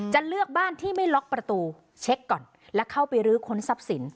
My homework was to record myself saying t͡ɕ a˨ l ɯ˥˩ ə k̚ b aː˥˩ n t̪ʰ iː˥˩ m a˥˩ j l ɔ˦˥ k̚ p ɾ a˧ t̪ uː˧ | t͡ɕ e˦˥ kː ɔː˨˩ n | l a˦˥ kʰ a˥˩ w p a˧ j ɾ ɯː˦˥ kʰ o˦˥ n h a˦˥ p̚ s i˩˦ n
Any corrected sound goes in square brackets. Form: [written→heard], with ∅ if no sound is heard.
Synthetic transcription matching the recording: t͡ɕ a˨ l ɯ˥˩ ə k̚ b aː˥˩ n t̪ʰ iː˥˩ m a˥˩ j l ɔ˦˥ k̚ p ɾ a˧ t̪ uː˧ | [t͡ɕ→t͡ɕʰ] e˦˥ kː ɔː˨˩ n | l [a˦˥→ɛ˦˥] kʰ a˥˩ w p a˧ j ɾ ɯː˦˥ kʰ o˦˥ n [h→s] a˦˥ p̚ s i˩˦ n